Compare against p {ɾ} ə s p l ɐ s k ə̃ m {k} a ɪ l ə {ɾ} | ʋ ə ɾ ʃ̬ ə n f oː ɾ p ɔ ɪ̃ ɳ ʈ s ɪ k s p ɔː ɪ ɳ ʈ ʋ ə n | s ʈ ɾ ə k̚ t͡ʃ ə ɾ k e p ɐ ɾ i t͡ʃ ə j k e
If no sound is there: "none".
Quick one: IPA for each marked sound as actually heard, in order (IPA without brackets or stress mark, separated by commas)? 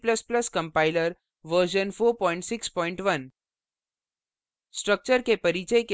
l, p, ɾ